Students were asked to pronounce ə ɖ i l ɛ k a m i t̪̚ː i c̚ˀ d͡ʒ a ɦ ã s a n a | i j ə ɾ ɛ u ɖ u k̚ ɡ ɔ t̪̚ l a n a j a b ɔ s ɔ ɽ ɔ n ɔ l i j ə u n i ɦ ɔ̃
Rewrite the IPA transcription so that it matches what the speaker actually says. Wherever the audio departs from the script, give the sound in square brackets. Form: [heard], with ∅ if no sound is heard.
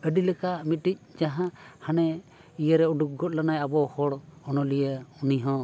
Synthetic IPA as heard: ə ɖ i l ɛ k a m i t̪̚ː i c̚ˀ d͡ʒ a ɦ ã [h] a n [ɛ] | i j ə ɾ ɛ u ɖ u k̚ ɡ ɔ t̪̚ l a n a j a b ɔ [h] ɔ ɽ ɔ n ɔ l i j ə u n i ɦ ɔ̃